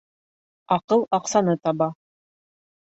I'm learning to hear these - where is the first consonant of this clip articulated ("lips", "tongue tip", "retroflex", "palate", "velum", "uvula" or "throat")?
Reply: uvula